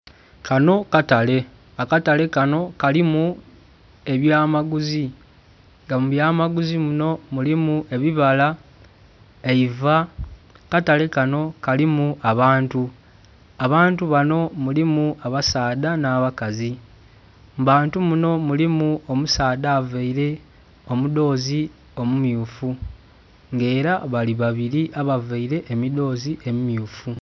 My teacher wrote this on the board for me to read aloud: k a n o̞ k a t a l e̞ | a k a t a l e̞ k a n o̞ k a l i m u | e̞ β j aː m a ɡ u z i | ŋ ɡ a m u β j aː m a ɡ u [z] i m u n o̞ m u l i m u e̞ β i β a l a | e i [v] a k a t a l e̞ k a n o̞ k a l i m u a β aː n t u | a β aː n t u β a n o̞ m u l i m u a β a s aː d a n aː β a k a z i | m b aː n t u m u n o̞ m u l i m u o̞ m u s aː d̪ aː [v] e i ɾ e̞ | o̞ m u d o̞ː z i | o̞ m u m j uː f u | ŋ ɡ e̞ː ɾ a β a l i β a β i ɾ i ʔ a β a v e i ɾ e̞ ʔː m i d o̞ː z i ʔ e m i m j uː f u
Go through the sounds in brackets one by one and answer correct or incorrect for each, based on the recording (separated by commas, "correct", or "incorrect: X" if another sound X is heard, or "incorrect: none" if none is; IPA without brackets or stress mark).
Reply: correct, correct, correct